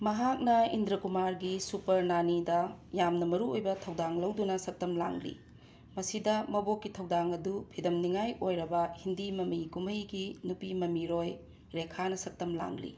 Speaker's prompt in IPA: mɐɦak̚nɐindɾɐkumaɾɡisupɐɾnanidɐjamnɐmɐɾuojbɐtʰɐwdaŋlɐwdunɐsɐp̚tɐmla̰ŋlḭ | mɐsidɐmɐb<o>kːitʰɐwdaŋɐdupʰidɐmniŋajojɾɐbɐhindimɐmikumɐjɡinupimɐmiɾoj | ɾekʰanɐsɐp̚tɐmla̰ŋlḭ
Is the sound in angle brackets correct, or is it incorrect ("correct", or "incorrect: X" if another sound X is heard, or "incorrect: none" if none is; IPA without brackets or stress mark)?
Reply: correct